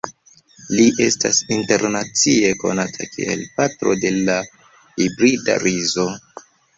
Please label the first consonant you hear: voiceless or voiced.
voiced